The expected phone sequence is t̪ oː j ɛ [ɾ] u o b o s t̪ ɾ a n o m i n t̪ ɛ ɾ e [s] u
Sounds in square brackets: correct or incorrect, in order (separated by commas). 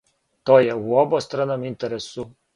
incorrect, correct